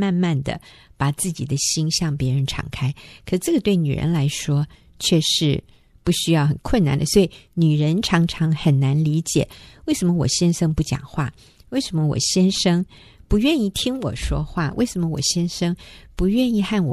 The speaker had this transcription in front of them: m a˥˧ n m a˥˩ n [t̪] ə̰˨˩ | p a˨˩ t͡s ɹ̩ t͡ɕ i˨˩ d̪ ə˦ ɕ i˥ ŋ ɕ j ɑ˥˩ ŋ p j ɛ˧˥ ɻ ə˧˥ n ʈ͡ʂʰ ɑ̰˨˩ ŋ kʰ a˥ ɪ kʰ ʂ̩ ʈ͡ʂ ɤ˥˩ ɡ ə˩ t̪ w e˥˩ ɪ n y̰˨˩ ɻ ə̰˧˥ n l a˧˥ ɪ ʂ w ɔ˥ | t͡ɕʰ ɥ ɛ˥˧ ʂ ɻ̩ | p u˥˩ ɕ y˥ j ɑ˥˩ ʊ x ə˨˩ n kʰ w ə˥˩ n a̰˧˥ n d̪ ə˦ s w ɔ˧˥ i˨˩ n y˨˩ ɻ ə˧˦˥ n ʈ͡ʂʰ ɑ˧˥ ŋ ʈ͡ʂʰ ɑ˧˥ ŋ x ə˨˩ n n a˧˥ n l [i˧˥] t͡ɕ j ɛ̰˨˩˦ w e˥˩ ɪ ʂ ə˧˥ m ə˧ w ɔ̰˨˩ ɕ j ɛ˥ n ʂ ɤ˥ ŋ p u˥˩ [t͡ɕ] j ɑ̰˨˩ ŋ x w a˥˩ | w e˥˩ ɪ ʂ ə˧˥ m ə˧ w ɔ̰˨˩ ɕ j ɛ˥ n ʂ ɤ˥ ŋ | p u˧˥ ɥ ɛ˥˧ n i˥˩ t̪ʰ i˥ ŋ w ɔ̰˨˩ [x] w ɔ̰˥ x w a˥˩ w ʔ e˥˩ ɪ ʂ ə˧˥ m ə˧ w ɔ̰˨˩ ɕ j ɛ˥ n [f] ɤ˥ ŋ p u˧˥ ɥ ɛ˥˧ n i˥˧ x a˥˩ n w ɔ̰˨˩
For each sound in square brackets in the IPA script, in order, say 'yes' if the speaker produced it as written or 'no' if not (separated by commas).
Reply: no, yes, yes, no, no